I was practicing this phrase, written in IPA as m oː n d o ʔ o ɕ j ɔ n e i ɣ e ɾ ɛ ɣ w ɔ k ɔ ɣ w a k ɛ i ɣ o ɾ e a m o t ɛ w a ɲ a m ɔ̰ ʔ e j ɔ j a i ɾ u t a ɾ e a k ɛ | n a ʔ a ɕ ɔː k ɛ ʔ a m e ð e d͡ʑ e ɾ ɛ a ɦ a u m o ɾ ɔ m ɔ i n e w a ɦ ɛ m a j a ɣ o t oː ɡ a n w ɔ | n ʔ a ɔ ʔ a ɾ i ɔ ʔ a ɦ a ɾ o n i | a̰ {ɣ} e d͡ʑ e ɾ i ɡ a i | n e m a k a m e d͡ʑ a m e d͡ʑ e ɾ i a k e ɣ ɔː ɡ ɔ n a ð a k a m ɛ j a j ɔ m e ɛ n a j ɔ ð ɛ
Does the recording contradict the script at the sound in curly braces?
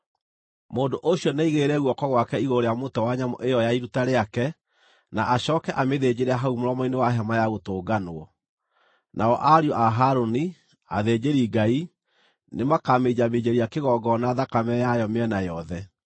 yes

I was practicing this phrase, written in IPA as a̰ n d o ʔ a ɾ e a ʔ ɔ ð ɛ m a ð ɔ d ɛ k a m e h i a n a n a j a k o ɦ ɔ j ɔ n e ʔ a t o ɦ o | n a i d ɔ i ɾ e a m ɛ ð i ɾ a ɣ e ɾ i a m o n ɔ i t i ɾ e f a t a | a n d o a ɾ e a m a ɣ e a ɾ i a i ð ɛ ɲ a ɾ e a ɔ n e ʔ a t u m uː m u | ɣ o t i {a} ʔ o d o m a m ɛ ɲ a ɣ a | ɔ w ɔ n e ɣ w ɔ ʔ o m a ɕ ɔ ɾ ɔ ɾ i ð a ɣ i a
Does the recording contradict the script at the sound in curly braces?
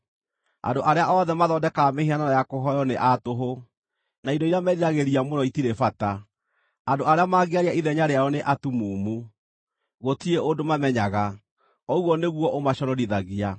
yes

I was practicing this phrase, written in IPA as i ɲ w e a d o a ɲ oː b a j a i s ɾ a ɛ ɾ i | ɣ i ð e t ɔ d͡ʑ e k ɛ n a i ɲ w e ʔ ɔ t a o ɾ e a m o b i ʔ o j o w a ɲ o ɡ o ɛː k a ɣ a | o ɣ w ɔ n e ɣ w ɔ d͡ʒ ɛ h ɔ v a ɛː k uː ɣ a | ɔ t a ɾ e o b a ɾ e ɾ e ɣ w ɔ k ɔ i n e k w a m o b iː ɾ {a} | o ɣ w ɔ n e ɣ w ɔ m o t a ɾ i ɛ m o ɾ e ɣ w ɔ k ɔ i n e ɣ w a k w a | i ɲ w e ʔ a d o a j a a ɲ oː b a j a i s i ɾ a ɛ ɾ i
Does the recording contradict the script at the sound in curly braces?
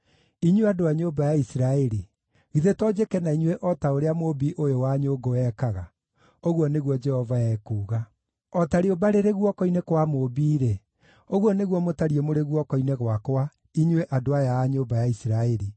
yes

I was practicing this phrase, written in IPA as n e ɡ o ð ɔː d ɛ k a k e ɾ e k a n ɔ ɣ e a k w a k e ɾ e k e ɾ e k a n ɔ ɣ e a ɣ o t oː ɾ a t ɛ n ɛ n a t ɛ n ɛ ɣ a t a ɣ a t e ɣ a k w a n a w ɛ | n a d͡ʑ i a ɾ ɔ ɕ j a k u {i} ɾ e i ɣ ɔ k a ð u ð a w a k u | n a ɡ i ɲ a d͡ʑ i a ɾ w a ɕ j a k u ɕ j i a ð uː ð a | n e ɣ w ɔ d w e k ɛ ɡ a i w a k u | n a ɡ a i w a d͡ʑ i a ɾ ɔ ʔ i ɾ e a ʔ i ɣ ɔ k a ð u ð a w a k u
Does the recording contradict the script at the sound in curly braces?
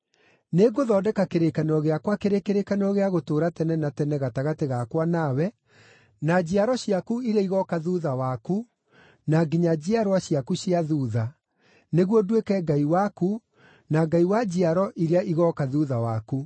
no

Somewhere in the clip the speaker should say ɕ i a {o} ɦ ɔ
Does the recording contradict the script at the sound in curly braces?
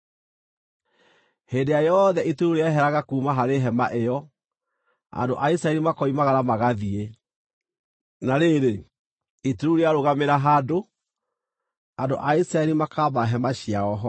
yes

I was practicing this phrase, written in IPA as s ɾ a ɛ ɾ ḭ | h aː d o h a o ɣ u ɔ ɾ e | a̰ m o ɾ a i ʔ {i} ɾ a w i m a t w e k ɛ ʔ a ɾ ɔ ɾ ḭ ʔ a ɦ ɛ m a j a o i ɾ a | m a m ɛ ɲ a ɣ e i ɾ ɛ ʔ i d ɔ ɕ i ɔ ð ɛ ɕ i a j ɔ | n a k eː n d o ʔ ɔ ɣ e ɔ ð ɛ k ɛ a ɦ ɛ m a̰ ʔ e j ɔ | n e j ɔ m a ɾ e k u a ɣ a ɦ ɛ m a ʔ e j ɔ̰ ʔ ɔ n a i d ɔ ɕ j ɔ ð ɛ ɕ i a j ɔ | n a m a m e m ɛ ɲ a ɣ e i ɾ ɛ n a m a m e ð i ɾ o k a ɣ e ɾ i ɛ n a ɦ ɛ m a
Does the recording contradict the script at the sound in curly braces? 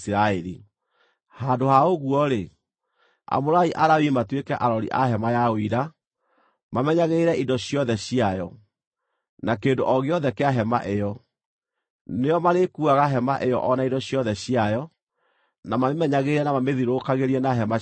yes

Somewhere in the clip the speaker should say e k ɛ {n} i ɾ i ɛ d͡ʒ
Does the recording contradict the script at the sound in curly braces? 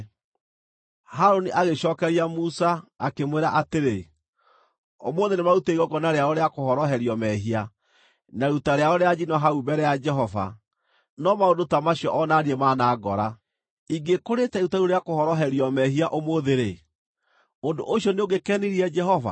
no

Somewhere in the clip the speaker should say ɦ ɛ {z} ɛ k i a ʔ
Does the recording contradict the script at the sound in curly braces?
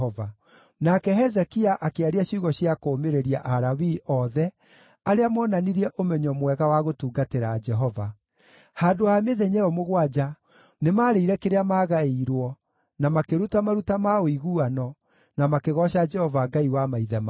no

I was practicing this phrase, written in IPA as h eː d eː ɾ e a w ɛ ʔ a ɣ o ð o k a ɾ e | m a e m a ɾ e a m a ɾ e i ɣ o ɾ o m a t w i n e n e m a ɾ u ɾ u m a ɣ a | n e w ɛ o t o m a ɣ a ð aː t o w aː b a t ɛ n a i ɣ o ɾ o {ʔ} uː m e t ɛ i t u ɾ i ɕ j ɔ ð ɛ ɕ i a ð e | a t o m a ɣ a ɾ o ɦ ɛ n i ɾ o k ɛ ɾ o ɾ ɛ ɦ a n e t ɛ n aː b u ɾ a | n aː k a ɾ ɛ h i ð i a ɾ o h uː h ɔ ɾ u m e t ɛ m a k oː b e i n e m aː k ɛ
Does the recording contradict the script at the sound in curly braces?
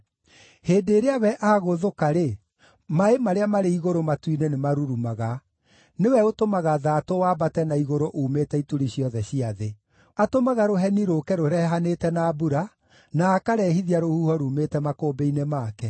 no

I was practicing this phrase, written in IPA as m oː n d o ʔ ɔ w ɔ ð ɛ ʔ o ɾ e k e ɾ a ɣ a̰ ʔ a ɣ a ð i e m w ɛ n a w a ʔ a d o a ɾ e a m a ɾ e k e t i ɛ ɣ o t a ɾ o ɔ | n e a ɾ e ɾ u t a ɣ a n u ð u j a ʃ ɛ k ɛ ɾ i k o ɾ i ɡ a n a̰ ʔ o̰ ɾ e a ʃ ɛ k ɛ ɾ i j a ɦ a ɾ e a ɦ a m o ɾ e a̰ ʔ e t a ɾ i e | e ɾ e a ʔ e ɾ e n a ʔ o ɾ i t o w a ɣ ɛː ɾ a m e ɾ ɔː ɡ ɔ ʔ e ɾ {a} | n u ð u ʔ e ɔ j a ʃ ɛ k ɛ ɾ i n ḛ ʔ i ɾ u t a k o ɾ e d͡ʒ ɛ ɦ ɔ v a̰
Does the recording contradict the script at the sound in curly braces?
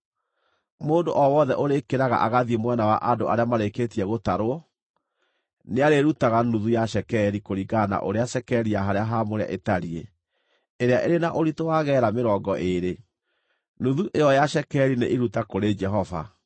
yes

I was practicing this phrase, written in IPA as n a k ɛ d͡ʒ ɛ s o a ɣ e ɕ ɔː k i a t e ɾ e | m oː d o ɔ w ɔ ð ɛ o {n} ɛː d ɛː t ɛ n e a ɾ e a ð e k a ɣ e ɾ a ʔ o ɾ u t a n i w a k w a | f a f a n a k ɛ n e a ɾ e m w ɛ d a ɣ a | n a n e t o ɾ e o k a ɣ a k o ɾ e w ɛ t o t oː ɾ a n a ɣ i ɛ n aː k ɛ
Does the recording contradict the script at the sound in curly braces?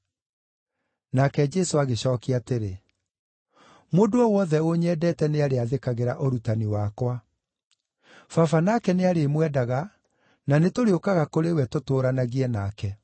yes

